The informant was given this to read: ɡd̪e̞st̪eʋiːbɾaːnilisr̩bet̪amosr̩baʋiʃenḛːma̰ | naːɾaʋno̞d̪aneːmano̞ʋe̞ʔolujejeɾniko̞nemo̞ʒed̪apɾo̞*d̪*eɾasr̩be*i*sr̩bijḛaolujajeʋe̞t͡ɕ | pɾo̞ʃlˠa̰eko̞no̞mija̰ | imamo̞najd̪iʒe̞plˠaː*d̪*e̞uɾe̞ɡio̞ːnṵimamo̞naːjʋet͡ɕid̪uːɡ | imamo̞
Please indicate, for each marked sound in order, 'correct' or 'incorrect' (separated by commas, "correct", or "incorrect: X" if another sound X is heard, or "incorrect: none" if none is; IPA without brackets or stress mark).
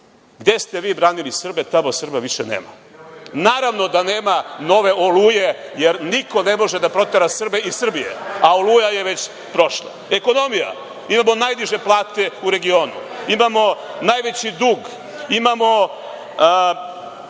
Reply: incorrect: t̪, correct, incorrect: t̪